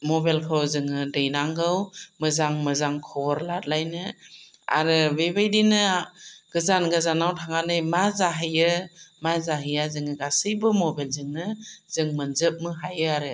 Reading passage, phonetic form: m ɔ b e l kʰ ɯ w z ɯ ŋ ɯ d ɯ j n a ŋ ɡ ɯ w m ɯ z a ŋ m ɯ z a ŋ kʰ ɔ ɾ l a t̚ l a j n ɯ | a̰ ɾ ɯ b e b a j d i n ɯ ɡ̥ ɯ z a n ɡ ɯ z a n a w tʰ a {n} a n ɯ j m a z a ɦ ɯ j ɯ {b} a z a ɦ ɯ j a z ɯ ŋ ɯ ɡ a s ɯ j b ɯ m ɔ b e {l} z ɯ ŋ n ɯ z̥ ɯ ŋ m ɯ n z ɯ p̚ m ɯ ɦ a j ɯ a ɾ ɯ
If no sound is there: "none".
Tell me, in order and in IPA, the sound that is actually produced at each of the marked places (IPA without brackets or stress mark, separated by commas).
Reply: ŋ, m, l